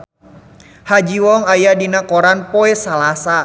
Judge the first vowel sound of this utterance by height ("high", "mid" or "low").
low